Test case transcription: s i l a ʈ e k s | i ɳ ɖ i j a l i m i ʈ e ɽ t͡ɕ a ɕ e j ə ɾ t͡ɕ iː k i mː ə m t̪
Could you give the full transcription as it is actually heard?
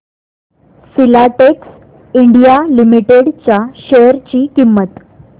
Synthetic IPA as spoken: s i l a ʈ e k s | i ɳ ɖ i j a l i m i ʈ e ɽ t͡ɕ a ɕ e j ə ɾ t͡ɕ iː k i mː ə t̪

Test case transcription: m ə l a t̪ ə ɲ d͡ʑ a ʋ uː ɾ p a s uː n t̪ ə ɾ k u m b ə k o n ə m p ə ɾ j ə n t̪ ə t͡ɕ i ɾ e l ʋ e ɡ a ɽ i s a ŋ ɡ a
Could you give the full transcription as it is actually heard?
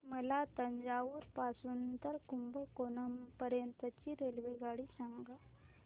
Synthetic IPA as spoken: m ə l a t̪ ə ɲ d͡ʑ a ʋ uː ɾ p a s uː n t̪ ə ɾ k u m b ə k o n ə m p ə ɾ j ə n t̪ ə t͡ɕ i ɾ e l ʋ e ɡ a ɽ i s a ŋ ɡ a

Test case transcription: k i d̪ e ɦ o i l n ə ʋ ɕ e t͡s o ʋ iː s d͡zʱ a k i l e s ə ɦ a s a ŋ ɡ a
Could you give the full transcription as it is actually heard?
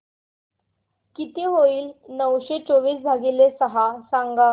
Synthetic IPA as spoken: k i t̪ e ɦ o iː l n ə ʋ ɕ e t͡s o ʋ iː s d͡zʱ a ɡ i l e s ə ɦ a s a ŋ ɡ a

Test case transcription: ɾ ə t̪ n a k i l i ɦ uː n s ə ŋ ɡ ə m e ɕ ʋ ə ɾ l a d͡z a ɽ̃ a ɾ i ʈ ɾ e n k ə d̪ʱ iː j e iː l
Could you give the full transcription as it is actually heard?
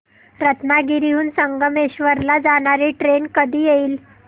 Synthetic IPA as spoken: ɾ ə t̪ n a ɡ i ɾ i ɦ uː n s ə ŋ ɡ ə m e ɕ ʋ ə ɾ l a d͡z a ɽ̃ a ɾ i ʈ ɾ e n k ə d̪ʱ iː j e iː l

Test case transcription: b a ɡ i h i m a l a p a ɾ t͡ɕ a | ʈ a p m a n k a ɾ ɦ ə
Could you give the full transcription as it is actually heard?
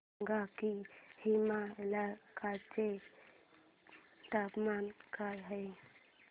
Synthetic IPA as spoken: ɡ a k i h i m a l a k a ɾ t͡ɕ e | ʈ a p m a n k a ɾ ɦ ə

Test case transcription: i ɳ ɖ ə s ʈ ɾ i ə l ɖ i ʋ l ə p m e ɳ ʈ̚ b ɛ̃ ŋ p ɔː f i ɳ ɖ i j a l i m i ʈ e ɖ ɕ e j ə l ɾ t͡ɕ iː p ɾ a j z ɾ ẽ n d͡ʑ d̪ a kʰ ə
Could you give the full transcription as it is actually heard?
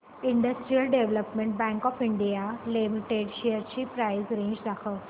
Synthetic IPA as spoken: i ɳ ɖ ə s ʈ ɾ i ə l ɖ e ʋ l ə p m e ɳ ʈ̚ b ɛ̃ ŋ k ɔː f i ɳ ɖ i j a l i m i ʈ e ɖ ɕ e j ə ɾ t͡ɕ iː p ɾ a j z ɾ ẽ ɲ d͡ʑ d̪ a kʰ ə

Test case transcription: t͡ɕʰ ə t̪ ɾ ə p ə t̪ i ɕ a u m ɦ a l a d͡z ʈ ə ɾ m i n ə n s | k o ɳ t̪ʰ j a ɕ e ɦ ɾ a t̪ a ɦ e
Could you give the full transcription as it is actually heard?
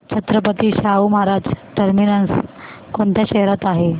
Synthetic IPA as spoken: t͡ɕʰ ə t̪ ɾ ə p ə t̪ i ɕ a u m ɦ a ɾ a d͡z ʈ ə ɾ m i n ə n s | k o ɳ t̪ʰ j a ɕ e ɦ ɾ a t̪ a ɦ e

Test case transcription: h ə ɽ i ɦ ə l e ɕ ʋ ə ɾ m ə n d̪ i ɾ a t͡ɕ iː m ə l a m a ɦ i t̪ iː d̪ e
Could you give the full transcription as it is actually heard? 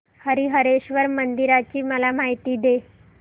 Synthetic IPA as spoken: h ə ɾ i ɦ ə ɾ e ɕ ʋ ə ɾ m ə n d̪ i ɾ a t͡ɕ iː m ə l a m a ɦ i t̪ iː d̪ e

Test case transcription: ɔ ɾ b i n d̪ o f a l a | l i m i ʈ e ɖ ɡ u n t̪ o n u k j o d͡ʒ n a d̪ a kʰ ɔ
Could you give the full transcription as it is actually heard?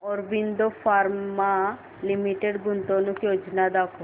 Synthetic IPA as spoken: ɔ ɾ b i n d̪ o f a ɾ a | l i m i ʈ e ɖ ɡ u n t̪ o n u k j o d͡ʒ n a d̪ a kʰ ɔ

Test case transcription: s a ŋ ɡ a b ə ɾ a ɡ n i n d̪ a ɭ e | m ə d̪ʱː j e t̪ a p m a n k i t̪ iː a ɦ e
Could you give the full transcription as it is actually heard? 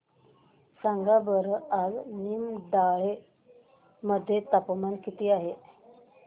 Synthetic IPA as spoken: s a ŋ ɡ a b ə ɾ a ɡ n i m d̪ a ɭ e | m ə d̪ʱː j e t̪ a p m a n k i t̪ iː a ɦ e

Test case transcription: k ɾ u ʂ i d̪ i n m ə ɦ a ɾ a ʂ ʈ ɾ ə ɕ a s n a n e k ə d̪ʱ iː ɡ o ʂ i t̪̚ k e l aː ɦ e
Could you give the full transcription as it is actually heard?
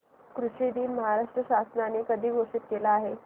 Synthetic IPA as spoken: k ɾ u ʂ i d̪ iː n m ə ɦ a ɾ a ʂ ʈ ɾ ə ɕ a s n a n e k ə d̪ʱ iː ɡ o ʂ i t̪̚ k e l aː ɦ e

